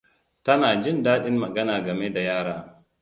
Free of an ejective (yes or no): yes